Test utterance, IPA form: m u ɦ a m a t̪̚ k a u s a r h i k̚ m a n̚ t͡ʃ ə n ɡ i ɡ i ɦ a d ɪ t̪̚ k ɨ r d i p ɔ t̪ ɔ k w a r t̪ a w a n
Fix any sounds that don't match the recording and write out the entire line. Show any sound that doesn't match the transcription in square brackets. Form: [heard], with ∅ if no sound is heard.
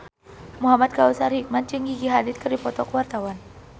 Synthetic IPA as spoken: m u ɦ a m a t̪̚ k a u s a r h i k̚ m a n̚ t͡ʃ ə [ŋ] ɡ i ɡ i ɦ a d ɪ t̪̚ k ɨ r d i p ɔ t̪ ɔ k w a r t̪ a w a n